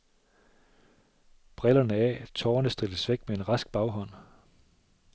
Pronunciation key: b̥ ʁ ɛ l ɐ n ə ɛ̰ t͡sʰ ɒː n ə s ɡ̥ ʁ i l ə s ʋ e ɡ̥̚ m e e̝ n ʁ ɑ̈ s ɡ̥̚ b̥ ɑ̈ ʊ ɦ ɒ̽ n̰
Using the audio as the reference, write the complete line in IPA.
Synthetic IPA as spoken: b̥ ʁ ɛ l ɐ n ə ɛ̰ t͡sʰ ɒː n ə s d̥ ʁ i l ə s ʋ e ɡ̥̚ m e e̝ n ʁ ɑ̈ s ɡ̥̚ b̥ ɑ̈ ʊ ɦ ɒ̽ n̰